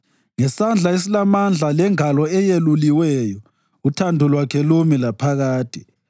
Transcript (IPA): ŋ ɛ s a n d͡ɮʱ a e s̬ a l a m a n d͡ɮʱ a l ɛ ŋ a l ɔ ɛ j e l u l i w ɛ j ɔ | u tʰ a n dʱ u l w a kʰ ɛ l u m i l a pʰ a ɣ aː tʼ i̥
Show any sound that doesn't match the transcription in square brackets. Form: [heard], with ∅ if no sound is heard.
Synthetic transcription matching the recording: ŋ ɛ s a n d͡ɮʱ a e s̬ [i] l a m a n d͡ɮʱ a l ɛ ŋ a l ɔ ɛ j e l u l i w ɛ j ɔ | u tʰ a n dʱ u l w a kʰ ɛ l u m i l a pʰ a ɣ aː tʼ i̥